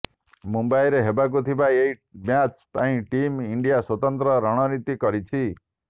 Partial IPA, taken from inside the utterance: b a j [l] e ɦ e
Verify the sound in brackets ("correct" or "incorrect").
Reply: incorrect